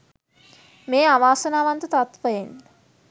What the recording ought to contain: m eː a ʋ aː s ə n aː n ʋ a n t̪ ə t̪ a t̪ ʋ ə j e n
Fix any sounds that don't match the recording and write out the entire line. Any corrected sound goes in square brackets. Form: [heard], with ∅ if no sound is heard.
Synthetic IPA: m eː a ʋ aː s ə n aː [∅] ʋ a n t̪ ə t̪ a t̪ ʋ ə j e n